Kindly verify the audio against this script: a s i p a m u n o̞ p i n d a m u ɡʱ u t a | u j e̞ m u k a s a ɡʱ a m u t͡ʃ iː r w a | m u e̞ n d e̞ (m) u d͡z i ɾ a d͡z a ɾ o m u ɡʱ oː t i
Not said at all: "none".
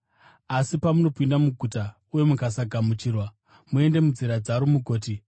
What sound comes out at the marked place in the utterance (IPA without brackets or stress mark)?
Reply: m